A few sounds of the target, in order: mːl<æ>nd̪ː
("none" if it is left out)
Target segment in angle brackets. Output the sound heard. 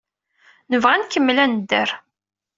æ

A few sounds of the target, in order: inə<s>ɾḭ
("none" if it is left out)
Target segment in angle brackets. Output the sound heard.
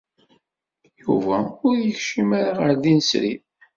s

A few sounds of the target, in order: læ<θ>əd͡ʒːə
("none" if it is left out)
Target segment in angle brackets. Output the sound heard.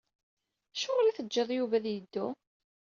θ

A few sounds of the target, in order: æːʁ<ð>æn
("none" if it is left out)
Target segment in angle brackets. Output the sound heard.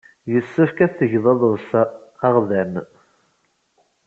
ð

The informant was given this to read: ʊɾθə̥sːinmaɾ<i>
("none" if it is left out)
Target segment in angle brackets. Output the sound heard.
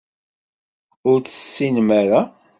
a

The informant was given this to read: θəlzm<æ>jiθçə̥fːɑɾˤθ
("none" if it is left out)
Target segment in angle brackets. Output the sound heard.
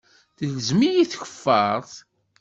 i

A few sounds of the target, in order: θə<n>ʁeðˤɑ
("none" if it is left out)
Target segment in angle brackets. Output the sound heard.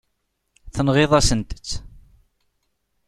n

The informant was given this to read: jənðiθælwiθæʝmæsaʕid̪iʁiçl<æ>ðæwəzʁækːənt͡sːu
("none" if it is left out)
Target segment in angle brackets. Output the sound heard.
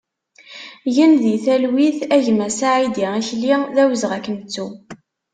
i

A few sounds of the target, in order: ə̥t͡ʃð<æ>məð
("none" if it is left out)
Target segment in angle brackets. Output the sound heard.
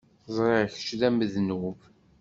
æ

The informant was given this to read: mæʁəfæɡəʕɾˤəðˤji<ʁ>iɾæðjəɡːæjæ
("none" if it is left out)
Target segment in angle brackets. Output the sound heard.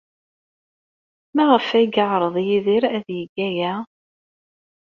ð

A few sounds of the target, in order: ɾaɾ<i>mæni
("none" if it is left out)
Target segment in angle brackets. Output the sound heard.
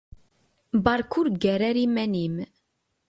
i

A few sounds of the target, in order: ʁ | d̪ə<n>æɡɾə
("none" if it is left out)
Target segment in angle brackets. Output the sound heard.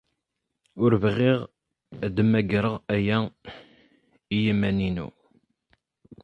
m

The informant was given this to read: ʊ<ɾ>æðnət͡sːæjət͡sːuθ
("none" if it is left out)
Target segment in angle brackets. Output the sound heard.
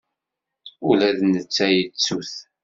l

